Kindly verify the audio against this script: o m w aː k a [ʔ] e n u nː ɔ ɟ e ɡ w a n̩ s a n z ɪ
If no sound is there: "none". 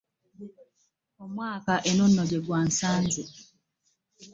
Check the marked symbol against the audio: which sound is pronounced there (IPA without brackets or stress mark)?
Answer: ʔ